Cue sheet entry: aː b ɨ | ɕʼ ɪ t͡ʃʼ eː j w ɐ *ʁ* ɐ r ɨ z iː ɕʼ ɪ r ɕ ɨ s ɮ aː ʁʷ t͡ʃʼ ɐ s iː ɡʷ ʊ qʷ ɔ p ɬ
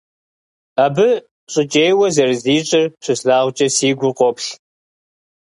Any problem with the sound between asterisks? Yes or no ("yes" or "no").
yes